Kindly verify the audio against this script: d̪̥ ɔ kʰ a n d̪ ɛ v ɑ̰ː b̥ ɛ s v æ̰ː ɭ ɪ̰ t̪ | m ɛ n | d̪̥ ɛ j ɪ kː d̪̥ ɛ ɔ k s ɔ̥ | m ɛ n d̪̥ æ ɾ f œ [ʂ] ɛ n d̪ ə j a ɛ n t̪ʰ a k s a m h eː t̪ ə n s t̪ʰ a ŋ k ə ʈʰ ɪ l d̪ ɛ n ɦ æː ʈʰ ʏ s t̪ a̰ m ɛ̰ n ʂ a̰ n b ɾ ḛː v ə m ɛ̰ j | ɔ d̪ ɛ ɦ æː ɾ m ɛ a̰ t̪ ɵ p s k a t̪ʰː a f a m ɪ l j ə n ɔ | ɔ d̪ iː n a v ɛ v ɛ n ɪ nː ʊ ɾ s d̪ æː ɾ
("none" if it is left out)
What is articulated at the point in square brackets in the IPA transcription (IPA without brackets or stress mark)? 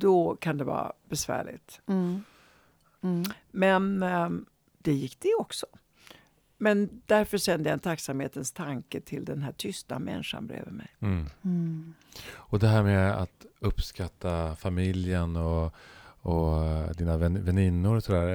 ʂ